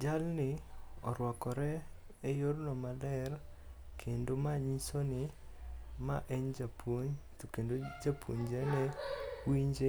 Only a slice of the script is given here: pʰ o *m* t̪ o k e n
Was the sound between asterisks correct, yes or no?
no